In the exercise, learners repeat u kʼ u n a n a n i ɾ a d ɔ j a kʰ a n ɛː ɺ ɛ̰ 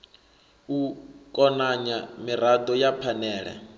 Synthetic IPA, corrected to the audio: u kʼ ɔ n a ɲ a m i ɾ a d ɔ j a pʰ a n ɛː ɺ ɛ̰